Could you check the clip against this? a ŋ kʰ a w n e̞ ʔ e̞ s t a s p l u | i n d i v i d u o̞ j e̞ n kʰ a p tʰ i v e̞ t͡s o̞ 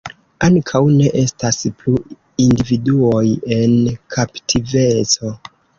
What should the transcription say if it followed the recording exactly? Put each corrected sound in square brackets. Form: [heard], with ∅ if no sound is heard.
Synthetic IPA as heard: a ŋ kʰ a w n e̞ ʔ e̞ s t a s p l u | i n d i v i d u o̞ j e̞ n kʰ a p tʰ i v e̞ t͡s o̞